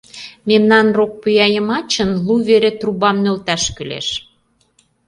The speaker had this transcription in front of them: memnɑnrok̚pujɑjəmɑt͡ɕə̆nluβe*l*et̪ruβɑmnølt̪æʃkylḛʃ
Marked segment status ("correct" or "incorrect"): incorrect